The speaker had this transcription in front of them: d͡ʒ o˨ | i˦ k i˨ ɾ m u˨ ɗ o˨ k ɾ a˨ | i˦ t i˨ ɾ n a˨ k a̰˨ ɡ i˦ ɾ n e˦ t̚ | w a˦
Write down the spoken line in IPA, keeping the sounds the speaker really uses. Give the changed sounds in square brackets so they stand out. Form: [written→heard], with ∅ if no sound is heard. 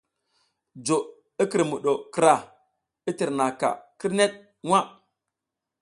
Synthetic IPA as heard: d͡ʒ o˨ | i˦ k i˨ ɾ m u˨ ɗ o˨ k ɾ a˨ | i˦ t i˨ ɾ n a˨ k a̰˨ [ɡ→k] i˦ ɾ n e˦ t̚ | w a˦